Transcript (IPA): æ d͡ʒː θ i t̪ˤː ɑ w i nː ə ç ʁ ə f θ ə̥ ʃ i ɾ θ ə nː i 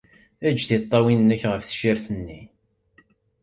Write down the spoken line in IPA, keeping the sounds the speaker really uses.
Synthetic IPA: æ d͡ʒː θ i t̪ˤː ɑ w i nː ə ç ʁ ə f θ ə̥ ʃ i ɾ θ ə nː i